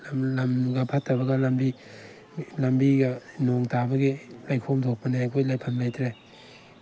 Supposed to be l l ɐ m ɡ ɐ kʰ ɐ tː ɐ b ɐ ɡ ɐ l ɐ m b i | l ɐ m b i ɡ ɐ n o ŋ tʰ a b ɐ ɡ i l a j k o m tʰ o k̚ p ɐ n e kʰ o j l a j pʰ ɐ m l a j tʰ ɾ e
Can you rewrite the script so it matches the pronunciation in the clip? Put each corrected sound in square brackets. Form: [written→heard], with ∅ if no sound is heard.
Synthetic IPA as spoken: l l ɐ m ɡ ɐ [kʰ→pʰ] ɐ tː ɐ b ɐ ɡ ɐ l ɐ m b i | l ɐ m b i ɡ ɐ n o ŋ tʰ a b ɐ ɡ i l a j [k→kʰ] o m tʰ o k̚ p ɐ n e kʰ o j l a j pʰ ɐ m l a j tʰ ɾ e

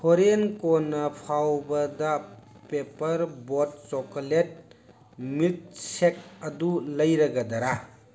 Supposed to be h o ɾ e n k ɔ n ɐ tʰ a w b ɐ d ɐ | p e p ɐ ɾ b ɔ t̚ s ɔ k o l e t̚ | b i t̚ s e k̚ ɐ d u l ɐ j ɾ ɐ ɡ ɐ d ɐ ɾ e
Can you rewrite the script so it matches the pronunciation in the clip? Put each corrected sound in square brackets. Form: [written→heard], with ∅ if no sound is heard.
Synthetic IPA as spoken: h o ɾ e n k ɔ n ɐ [tʰ→pʰ] a w b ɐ d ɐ | p e p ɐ ɾ b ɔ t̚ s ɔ k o l e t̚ | [b→m] i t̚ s e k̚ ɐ d u l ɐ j ɾ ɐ ɡ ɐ d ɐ ɾ [e→a]

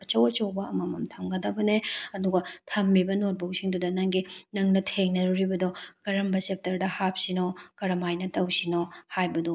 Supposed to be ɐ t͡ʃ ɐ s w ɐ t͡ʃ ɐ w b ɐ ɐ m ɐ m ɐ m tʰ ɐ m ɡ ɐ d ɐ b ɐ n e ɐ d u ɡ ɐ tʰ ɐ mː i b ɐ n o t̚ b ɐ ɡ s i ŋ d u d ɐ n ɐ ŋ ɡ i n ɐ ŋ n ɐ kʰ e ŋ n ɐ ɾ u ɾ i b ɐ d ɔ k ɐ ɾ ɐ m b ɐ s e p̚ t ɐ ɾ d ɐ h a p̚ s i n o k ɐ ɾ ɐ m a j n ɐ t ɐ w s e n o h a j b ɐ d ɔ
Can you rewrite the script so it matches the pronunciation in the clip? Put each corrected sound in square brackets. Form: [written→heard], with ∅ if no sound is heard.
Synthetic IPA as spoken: ɐ t͡ʃ ɐ [s→∅] w ɐ t͡ʃ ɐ w b ɐ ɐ m ɐ m ɐ m tʰ ɐ m ɡ ɐ d ɐ b ɐ n e ɐ d u ɡ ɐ tʰ ɐ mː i b ɐ n o t̚ b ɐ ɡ s i ŋ d u d ɐ n ɐ ŋ ɡ i n ɐ ŋ n ɐ [kʰ→tʰ] e ŋ n ɐ ɾ u ɾ i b ɐ d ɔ k ɐ ɾ ɐ m b ɐ s e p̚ t ɐ ɾ d ɐ h a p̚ s i n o k ɐ ɾ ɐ m a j n ɐ t ɐ w s [e→i] n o h a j b ɐ d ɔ

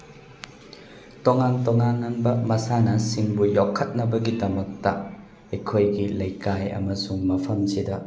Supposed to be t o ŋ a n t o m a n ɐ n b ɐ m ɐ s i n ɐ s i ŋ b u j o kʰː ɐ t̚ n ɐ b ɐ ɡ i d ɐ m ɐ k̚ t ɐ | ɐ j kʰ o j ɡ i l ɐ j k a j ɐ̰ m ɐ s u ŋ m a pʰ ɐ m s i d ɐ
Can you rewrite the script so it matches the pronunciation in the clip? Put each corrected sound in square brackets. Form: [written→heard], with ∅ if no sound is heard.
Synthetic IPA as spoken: t o ŋ a n t o [m→ŋ] a n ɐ n b ɐ m ɐ s [i→a] n ɐ s i ŋ b u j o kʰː ɐ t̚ n ɐ b ɐ ɡ i d ɐ m ɐ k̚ t ɐ | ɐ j kʰ o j ɡ i l ɐ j k a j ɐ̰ m ɐ s u ŋ m [a→ɐ] pʰ ɐ m s i d ɐ

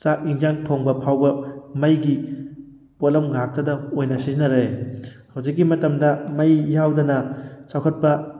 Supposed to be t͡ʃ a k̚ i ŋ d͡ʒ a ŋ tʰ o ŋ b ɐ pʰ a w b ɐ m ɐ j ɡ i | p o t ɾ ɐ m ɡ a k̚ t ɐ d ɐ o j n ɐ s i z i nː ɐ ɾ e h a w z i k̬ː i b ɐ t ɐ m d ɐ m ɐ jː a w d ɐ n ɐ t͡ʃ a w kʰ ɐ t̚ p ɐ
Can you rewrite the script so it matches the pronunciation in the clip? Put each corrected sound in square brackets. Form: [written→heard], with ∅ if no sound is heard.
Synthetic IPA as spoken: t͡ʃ a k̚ i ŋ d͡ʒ a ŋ tʰ o ŋ b ɐ pʰ a w b ɐ m ɐ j ɡ i | p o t [ɾ→l] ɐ m ɡ a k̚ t ɐ d ɐ o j n ɐ s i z i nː ɐ ɾ e h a w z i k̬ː i [b→m] ɐ t ɐ m d ɐ m ɐ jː a w d ɐ n ɐ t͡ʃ a w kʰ ɐ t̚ p ɐ

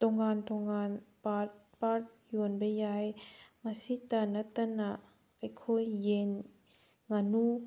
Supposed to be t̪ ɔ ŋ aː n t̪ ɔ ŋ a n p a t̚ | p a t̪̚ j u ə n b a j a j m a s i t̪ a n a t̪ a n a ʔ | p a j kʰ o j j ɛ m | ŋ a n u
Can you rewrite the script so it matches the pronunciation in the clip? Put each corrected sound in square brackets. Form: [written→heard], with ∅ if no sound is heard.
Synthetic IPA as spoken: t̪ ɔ ŋ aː n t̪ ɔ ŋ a n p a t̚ | p a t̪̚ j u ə n b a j a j m a s i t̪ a n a t̪ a n a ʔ | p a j kʰ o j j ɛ [m→n] | ŋ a n u

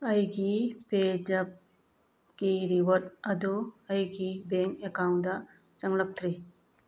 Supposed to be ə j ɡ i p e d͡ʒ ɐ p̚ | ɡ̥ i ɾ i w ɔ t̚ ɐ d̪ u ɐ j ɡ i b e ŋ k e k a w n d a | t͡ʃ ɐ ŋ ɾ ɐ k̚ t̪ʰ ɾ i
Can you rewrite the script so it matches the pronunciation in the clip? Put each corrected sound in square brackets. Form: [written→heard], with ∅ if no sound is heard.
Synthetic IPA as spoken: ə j ɡ i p e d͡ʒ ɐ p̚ | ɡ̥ i ɾ i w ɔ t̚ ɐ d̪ u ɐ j ɡ i b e ŋ k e k a w n d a | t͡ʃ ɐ ŋ [ɾ→l] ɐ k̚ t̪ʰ ɾ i

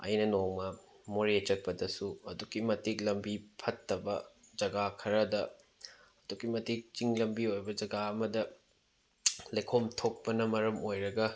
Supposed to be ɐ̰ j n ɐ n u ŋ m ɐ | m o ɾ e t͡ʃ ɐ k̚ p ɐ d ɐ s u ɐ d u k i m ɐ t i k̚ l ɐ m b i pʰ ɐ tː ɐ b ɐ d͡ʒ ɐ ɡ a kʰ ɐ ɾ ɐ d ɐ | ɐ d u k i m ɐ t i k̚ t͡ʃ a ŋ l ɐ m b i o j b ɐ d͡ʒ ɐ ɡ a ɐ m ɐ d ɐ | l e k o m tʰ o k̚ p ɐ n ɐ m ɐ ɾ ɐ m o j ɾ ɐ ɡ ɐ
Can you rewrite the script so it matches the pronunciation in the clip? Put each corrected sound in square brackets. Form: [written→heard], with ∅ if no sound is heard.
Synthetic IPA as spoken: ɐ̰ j n ɐ n [u→o] ŋ m ɐ | m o ɾ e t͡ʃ ɐ k̚ p ɐ d ɐ s u ɐ d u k i m ɐ t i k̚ l ɐ m b i pʰ ɐ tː ɐ b ɐ d͡ʒ ɐ ɡ a kʰ ɐ ɾ ɐ d ɐ | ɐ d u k i m ɐ t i k̚ t͡ʃ [a→i] ŋ l ɐ m b i o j b ɐ d͡ʒ ɐ ɡ a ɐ m ɐ d ɐ | l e [k→kʰ] o m tʰ o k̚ p ɐ n ɐ m ɐ ɾ ɐ m o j ɾ ɐ ɡ ɐ

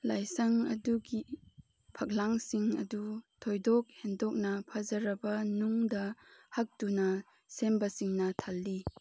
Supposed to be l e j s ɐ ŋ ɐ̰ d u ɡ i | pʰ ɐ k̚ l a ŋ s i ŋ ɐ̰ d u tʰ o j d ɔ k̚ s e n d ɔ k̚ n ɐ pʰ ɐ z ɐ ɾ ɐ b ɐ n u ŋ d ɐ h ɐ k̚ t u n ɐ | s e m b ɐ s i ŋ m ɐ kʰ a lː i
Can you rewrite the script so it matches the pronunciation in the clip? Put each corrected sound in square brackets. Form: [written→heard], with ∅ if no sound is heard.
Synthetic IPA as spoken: l [e→a] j s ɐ ŋ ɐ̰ d u ɡ i | pʰ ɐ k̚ l a ŋ s i ŋ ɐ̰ d u tʰ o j d ɔ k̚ [s→h] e n d ɔ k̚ n ɐ pʰ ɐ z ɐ ɾ ɐ b ɐ n u ŋ d ɐ h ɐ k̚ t u n ɐ | s e m b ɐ s i ŋ [m→n] ɐ [kʰ→tʰ] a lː i

